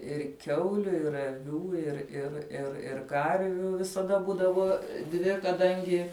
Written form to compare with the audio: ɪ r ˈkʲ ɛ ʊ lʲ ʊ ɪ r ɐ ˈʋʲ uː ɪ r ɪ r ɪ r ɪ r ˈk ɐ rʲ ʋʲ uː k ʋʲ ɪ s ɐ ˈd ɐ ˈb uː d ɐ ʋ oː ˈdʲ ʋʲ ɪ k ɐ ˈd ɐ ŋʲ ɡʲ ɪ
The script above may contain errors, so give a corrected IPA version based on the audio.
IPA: ɪ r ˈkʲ ɛ ʊ lʲ ʊ ɪ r ɐ ˈʋʲ uː ɪ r ɪ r ɪ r ɪ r ˈk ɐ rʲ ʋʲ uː ʋʲ ɪ s ɐ ˈd ɐ ˈb uː d ɐ ʋ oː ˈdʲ ʋʲ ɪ k ɐ ˈd ɐ ŋʲ ɡʲ ɪ